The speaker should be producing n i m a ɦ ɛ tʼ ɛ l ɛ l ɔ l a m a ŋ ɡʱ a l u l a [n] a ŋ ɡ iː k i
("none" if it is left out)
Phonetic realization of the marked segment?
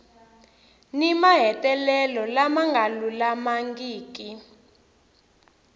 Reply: m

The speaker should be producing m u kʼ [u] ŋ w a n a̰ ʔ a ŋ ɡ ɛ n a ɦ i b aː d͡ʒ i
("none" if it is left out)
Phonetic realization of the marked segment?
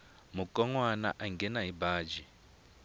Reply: ɔ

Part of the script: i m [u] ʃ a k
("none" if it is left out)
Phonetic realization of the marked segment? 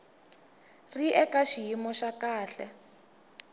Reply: ɔ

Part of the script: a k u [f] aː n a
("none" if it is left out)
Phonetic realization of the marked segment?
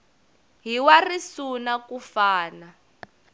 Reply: f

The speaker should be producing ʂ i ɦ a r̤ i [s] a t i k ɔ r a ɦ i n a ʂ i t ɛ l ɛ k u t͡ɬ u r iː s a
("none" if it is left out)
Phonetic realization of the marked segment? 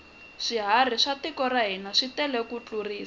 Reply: ʂ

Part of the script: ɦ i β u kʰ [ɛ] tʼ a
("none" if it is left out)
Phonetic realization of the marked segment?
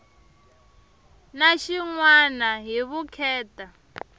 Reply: ɛː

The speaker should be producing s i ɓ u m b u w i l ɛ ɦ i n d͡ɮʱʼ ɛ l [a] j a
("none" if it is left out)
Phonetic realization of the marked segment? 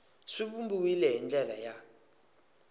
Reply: a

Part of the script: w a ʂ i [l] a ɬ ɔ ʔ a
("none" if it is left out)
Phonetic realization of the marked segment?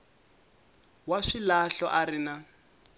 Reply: l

